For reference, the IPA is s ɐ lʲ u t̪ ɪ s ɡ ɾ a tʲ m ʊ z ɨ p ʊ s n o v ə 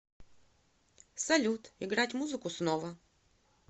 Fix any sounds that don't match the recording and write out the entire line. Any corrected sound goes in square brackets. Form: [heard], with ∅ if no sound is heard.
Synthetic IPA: s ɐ lʲ u t̪ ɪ [∅] ɡ ɾ a tʲ m [u] z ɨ [k] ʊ s n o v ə